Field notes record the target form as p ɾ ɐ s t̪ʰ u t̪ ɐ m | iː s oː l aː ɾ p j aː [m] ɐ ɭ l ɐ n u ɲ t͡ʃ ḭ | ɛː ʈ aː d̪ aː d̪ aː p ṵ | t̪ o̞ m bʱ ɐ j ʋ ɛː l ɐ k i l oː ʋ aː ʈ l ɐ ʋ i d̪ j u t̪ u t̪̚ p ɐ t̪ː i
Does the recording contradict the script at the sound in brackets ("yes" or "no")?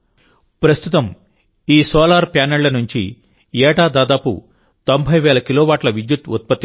yes